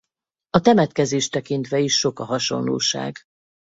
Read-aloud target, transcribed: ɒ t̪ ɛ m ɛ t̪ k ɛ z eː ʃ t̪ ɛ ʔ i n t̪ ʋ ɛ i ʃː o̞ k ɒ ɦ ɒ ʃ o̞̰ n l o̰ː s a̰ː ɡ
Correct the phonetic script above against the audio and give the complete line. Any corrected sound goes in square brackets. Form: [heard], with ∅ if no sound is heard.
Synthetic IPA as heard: ɒ t̪ ɛ m ɛ t̪ k ɛ z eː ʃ t̪ ɛ [k] i n t̪ ʋ ɛ i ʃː o̞ k ɒ ɦ ɒ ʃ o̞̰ n l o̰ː [ʃ] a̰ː ɡ